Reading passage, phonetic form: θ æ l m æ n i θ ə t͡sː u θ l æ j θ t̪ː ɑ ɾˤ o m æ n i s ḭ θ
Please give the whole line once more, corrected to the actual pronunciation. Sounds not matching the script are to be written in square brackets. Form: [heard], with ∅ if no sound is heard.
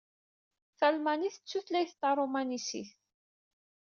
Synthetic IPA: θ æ l m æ n i θ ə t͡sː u θ l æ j θ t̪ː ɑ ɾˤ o m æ n i s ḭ θ